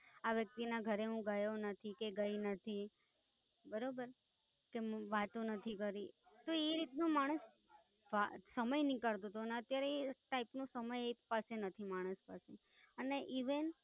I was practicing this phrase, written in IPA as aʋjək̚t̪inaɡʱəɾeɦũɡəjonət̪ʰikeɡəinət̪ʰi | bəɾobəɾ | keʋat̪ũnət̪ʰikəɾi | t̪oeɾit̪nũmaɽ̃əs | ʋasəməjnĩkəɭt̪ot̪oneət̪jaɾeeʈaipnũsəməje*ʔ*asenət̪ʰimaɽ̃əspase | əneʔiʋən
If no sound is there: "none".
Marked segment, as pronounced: p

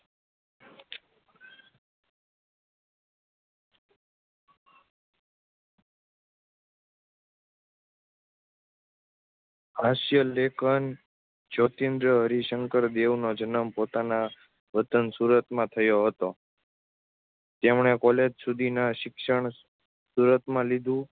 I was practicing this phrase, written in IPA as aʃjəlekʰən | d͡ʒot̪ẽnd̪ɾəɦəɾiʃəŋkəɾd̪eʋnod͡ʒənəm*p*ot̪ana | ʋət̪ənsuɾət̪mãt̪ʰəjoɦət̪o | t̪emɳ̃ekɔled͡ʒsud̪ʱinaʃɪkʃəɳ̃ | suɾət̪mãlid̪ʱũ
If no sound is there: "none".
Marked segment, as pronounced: p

